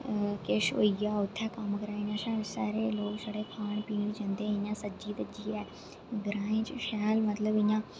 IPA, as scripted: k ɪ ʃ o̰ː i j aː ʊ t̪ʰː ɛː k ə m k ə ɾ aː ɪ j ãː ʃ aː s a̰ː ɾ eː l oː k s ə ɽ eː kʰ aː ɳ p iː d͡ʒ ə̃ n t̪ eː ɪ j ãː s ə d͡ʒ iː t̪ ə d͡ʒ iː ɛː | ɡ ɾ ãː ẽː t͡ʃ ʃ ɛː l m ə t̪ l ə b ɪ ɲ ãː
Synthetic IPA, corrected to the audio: k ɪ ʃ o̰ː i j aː ʊ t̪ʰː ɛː k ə m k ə ɾ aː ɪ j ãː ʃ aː s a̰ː ɾ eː l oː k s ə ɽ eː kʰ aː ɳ p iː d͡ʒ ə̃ n d̪ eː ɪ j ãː s ə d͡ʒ iː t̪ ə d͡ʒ iː ɛː | ɡ ɾ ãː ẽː t͡ʃ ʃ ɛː l m ə t̪ l ə b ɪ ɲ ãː